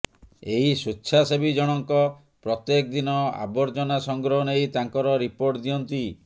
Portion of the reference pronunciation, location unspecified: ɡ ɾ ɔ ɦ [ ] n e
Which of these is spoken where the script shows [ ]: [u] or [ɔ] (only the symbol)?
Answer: ɔ